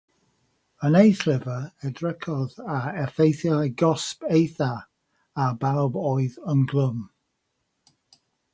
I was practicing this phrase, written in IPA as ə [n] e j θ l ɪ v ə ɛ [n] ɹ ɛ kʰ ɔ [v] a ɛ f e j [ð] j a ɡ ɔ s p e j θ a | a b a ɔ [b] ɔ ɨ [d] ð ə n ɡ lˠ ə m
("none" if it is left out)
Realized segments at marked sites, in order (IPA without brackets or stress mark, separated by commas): n, d, ð, θ, b, none